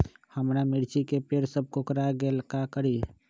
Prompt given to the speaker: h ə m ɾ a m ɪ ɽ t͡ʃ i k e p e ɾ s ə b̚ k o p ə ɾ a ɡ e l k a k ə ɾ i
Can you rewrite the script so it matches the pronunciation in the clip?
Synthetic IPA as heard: h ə m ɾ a m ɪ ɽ t͡ʃ i k e p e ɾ s ə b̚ k o k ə ɾ a ɡ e l k a k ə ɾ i